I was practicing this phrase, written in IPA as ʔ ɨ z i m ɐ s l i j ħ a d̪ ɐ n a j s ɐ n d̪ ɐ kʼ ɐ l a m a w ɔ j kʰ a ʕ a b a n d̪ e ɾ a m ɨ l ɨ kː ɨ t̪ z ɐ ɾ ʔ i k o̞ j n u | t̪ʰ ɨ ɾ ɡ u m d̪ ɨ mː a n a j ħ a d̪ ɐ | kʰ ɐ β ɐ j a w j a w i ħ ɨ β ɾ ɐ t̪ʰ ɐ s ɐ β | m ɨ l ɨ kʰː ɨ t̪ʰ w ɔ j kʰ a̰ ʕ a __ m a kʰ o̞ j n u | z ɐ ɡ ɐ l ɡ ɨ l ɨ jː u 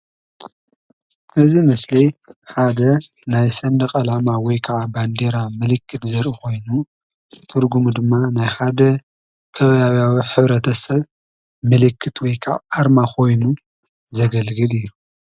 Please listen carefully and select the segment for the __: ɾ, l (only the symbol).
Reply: ɾ